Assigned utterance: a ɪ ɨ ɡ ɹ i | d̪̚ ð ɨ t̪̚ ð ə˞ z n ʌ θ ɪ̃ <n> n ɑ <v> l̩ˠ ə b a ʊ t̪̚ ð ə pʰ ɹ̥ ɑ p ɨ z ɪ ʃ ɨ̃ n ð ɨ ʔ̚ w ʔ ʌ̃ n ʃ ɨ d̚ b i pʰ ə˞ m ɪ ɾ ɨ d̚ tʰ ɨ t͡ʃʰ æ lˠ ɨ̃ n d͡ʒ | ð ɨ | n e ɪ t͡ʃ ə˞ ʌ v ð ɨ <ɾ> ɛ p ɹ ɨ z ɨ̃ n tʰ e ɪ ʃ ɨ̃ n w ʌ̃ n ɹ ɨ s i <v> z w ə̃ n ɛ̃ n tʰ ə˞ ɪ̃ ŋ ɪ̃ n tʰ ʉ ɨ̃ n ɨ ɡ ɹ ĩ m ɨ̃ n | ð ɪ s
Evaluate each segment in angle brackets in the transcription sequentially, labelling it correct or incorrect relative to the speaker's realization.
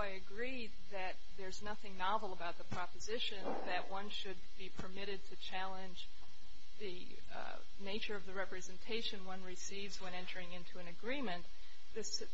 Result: incorrect: ŋ, correct, incorrect: ɹ, correct

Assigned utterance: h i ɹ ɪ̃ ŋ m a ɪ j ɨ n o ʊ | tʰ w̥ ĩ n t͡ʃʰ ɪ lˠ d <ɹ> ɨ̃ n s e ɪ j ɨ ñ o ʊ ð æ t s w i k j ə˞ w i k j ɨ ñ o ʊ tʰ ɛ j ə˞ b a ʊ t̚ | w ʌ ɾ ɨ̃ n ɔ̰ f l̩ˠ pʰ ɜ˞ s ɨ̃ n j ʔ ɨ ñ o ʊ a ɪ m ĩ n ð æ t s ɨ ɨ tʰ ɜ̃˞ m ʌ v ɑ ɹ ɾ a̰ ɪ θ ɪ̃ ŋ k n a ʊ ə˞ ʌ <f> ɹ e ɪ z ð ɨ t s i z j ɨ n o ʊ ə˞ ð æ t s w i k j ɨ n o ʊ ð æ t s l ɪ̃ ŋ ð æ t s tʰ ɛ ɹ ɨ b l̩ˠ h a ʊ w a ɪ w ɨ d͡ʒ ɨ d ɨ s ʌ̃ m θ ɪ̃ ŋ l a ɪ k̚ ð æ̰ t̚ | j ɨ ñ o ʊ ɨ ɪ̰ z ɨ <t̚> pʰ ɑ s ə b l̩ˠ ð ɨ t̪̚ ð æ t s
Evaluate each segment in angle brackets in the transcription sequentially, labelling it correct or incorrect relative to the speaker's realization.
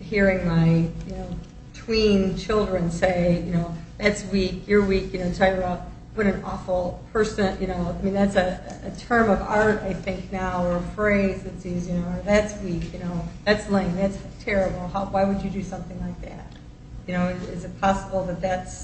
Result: correct, correct, correct

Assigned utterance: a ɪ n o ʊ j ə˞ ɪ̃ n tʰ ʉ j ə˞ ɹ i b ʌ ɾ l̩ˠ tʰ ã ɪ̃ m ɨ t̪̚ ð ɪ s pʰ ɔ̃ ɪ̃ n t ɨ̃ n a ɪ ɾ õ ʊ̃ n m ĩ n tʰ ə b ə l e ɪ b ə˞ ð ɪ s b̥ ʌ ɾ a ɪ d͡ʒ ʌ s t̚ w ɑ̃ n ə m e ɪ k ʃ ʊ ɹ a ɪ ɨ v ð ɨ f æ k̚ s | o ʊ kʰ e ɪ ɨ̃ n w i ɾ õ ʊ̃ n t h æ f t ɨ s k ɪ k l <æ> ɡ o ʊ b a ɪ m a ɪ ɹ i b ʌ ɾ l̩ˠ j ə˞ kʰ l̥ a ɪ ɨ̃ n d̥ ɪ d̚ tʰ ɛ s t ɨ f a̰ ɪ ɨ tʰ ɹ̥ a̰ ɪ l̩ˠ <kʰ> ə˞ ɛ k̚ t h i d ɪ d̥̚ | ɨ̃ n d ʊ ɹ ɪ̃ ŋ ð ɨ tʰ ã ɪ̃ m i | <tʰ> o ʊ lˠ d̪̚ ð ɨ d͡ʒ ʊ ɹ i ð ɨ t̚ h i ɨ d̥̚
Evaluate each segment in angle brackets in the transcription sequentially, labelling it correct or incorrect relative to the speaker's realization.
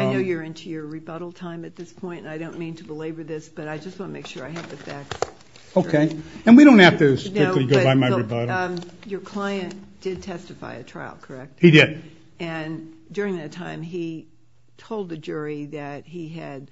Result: incorrect: i, correct, correct

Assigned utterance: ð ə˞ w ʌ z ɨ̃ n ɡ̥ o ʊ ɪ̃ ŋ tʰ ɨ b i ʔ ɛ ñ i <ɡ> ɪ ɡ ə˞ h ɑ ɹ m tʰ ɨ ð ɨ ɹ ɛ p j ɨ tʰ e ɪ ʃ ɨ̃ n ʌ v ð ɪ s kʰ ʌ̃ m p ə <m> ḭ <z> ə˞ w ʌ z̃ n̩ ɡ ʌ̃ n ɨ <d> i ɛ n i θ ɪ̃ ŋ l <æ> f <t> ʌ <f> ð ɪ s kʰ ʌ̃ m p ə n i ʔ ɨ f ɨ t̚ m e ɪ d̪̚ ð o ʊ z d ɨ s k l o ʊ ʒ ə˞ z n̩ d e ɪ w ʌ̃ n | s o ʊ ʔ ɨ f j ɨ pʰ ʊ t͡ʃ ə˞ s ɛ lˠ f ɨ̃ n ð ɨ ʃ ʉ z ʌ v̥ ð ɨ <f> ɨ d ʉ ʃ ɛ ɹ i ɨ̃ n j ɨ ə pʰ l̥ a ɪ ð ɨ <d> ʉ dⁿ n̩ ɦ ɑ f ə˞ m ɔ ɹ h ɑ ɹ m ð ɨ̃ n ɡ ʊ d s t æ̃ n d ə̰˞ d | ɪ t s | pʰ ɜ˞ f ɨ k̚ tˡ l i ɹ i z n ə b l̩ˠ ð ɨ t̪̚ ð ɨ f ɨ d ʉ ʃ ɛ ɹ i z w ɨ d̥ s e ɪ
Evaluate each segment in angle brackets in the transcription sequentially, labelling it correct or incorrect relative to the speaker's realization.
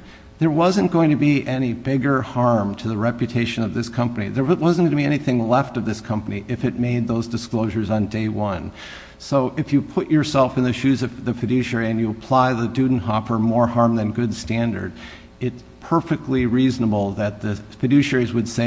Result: incorrect: b, incorrect: n, incorrect: ð, incorrect: b, incorrect: ɛ, correct, incorrect: v, correct, correct

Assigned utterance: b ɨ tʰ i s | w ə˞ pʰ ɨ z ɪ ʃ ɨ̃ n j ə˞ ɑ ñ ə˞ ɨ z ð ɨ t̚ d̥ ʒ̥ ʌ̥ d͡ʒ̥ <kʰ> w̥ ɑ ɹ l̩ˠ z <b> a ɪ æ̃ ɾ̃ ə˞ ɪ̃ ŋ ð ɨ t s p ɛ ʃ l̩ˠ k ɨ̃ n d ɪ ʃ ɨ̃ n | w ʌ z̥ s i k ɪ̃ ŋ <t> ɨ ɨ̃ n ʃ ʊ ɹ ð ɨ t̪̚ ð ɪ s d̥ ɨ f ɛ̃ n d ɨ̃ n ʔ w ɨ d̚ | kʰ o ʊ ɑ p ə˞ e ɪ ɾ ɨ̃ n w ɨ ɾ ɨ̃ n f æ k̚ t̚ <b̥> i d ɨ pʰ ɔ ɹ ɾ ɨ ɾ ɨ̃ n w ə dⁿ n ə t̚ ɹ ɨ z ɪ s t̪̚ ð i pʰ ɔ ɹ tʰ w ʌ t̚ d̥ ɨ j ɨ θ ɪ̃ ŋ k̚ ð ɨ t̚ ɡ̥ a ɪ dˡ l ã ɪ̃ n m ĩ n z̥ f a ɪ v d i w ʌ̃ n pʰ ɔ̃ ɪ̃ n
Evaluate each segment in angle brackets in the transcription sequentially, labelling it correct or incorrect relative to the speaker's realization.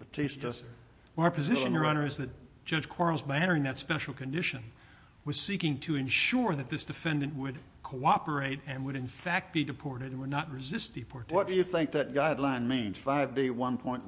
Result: correct, correct, incorrect: tʰ, correct

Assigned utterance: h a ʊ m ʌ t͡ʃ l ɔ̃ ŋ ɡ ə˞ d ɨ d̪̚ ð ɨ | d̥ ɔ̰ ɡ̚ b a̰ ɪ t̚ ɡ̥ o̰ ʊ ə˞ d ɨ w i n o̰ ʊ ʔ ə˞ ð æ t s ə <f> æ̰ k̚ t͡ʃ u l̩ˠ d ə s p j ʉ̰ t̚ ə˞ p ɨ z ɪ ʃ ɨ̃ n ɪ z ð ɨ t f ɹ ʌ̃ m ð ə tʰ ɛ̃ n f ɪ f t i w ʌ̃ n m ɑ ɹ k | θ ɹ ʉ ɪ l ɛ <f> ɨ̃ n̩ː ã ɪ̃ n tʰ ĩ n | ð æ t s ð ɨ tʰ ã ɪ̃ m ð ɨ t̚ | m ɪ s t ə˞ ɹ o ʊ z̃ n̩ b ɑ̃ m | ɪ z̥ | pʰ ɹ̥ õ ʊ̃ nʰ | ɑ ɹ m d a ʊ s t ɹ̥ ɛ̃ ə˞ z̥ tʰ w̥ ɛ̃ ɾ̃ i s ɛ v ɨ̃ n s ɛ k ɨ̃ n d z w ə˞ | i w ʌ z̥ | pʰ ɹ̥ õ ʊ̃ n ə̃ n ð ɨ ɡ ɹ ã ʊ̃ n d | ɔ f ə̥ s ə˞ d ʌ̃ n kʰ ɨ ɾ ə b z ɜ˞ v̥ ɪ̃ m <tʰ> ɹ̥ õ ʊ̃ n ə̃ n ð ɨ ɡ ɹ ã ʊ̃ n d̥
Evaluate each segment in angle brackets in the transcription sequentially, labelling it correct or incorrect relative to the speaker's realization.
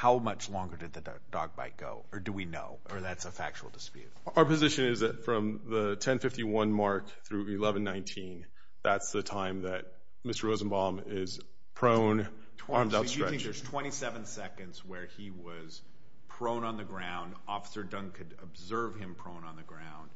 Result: correct, incorrect: v, incorrect: pʰ

